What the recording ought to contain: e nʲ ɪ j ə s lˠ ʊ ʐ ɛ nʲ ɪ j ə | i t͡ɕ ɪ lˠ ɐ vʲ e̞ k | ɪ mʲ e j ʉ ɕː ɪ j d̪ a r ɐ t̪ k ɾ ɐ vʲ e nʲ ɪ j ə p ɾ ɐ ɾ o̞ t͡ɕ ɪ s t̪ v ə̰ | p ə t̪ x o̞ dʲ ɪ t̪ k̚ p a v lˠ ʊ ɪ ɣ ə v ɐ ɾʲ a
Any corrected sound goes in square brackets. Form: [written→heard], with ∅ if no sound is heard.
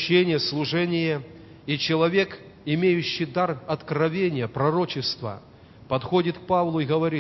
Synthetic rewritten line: e nʲ ɪ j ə s lˠ ʊ ʐ ɛ nʲ ɪ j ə | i t͡ɕ ɪ lˠ ɐ vʲ e̞ k | ɪ mʲ e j ʉ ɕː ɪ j d̪ a r ɐ t̪ k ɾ ɐ vʲ e nʲ ɪ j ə p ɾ ɐ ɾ o̞ t͡ɕ ɪ s t̪ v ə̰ | p [ə→ɐ] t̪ x o̞ dʲ ɪ t̪ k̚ p a v lˠ ʊ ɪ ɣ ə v ɐ ɾʲ [a→i]